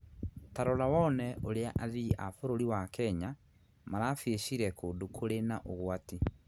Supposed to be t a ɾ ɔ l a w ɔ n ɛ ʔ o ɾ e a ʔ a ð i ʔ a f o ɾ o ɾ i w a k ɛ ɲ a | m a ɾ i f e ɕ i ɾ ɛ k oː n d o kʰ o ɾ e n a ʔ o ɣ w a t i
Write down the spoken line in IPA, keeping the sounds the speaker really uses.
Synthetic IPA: t a ɾ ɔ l a w ɔ n ɛ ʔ o ɾ e a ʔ a ð i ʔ a f o ɾ o ɾ i w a k ɛ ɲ a | m a ɾ a f e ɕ i ɾ ɛ k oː n d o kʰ o ɾ e n a ʔ o ɣ w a t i

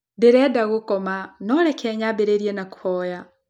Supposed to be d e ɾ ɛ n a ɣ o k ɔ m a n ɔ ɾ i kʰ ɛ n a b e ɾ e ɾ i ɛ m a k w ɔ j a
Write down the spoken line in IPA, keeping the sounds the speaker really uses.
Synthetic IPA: d e ɾ ɛ d a ɣ o k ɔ m a n ɔ ɾ ɛ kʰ ɛ ɲ a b e ɾ e ɾ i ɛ n a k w ɔ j a

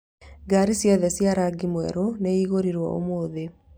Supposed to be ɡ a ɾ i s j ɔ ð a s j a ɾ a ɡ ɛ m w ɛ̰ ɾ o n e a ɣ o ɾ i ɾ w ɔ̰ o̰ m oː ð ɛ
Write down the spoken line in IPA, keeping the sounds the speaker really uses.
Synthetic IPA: ɡ a ɾ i s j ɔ ð ɛ s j a ɾ a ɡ i m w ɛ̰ ɾ o n e i ɣ o ɾ i ɾ w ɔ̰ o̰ m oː ð e

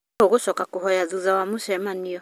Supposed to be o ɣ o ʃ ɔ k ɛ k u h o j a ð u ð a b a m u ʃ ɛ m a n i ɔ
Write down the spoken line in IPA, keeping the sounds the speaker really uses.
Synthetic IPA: o ɣ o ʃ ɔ k a k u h ɔ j a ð u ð a w a m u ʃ ɛ m a n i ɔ

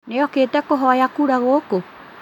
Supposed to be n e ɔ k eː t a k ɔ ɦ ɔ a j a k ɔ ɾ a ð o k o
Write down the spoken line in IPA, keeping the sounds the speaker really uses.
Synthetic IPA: n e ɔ k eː t ɛ k o ɦ ɔ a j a k u ɾ a ɣ o k o

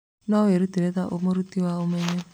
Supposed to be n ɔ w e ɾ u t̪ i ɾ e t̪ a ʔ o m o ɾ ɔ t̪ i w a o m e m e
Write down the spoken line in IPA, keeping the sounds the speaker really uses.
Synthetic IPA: n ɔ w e ɾ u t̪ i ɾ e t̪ a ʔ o m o ɾ u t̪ i w a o m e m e

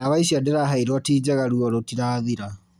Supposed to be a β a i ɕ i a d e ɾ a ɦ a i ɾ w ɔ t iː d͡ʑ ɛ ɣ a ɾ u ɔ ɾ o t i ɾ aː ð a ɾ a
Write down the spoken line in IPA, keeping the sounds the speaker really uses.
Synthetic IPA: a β a i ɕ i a d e ɾ a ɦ a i ɾ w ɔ t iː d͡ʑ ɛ ɣ a ɾ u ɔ ɾ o t i ɾ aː ð i ɾ a

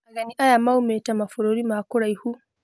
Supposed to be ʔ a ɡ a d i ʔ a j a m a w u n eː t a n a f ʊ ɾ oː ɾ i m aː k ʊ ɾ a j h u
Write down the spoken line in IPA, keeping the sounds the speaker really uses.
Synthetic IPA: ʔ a ɡ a n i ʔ a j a m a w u m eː t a m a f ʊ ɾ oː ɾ i m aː k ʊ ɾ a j h u

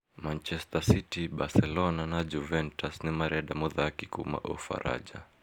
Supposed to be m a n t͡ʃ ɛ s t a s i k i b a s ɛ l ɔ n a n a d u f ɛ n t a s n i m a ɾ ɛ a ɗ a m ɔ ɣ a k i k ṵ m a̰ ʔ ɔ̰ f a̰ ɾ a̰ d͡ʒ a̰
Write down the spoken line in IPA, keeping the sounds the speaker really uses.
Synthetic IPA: m a n t͡ʃ ɛ s t a s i t i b a s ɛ l ɔ n a n a d͡ʒ u v ɛ n t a s n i m a ɾ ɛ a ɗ a m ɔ ð a k i k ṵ m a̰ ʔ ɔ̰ f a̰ ɾ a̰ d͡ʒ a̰

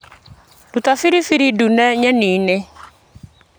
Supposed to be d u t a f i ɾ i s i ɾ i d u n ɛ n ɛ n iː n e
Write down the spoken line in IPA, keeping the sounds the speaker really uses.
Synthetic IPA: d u t a f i ɾ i f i ɾ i d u n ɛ ɲ ɛ n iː n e

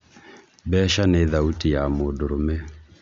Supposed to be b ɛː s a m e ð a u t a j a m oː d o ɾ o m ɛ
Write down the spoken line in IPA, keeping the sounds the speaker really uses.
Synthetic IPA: b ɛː ʃ a n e ð a u t i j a m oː d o ɾ o m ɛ

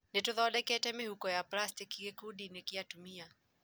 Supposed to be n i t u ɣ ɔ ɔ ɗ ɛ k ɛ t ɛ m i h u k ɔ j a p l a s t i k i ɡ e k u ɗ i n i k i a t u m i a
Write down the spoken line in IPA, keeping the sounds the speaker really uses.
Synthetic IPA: n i t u ð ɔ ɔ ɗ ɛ k ɛ t ɛ m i h u k ɔ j a p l a s t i k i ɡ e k u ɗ i n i k i a t u m i a

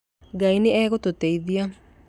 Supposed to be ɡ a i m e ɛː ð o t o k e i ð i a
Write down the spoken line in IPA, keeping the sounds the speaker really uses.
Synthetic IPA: ɡ a i n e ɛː ɣ o t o t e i ð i a

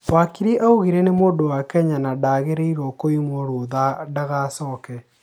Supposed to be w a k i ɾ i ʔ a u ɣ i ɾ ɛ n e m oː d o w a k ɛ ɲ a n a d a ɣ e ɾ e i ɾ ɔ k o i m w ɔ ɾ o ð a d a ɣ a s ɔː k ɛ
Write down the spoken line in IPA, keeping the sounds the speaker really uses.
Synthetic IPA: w a k i ɾ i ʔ a u ɣ i ɾ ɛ n e m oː d o w a k ɛ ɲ a n a d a ɣ e ɾ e i ɾ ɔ k o i m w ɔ ɾ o ð a d a ɣ a s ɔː k ɛ

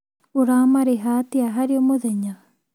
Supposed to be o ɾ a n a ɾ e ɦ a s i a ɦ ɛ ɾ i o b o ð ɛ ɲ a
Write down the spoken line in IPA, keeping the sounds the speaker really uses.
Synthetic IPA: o ɾ a m a ɾ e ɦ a t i a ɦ a ɾ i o m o ð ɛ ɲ a

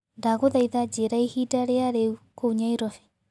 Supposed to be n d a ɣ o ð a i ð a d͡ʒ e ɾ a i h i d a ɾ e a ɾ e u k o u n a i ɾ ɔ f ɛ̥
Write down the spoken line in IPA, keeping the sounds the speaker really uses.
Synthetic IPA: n d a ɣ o ð a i ð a d͡ʒ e ɾ a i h i d a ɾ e a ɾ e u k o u ɲ a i ɾ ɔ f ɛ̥

